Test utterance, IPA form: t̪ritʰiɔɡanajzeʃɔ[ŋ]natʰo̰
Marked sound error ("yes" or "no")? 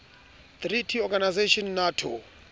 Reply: yes